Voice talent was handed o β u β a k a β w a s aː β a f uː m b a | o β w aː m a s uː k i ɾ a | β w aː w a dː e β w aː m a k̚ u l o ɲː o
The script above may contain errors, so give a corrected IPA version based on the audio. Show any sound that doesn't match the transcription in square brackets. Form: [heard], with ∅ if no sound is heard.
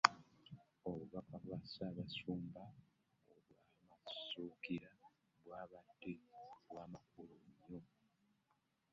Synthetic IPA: o β u β a k a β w a s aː β a [s] uː m b a | o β w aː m a s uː k i ɾ a | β w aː [β] a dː e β w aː m a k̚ u l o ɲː o